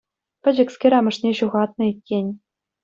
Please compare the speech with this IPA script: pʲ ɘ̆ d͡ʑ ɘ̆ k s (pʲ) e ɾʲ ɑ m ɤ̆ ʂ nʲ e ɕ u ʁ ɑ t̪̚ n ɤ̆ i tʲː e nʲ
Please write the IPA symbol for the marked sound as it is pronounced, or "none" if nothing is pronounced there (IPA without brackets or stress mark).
kʲ